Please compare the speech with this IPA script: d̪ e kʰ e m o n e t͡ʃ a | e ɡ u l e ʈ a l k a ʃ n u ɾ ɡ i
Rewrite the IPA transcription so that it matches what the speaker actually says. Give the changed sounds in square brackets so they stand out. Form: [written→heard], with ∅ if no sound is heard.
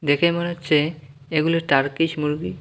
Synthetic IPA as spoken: d̪ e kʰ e m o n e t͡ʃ [a→e] | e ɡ u l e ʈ a [l→ɾ] k [a→i] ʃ [n→m] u ɾ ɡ i